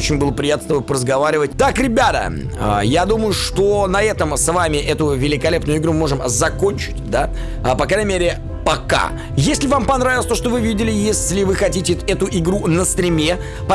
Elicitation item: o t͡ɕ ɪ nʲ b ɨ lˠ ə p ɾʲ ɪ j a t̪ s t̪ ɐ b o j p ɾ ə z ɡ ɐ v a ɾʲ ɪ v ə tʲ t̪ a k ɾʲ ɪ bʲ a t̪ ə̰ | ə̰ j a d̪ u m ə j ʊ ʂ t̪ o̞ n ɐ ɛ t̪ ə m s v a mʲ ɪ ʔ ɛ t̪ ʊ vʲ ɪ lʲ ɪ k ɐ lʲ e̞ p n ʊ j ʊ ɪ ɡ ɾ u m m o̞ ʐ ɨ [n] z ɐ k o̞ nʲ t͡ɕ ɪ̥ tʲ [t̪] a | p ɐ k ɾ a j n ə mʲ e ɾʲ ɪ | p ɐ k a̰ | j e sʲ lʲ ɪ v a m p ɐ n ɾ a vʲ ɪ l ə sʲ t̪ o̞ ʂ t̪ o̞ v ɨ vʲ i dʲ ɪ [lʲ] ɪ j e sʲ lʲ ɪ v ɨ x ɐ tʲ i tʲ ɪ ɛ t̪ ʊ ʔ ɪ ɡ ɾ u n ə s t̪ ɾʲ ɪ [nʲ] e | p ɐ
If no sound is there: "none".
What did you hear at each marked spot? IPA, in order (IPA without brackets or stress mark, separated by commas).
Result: m, d̪, lʲ, mʲ